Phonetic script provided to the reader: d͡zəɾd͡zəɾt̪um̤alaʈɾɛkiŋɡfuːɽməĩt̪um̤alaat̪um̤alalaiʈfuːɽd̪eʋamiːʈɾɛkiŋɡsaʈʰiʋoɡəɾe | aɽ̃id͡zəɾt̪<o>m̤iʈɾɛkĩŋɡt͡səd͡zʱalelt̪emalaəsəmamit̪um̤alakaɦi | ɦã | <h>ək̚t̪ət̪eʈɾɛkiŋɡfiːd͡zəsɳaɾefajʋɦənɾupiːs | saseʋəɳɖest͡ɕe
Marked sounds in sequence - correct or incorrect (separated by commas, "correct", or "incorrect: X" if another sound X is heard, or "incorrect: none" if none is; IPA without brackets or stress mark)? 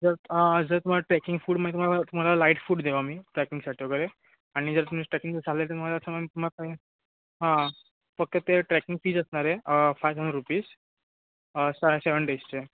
incorrect: u, incorrect: f